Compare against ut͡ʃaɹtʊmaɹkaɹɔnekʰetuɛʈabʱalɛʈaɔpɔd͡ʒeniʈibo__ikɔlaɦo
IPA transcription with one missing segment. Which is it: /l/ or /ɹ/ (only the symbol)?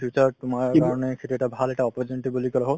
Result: l